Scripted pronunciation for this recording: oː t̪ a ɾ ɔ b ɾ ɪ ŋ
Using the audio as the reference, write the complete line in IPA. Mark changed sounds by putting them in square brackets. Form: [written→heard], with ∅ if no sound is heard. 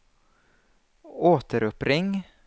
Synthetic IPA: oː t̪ [a→ə] ɾ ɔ [b→p] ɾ ɪ ŋ